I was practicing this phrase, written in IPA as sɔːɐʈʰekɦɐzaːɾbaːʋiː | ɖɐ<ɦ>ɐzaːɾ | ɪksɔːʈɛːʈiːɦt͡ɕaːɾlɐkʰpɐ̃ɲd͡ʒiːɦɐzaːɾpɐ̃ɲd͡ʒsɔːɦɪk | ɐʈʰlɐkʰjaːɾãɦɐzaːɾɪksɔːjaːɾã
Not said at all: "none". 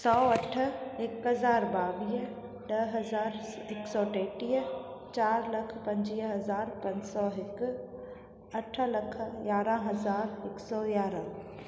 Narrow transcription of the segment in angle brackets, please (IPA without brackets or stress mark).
ɦ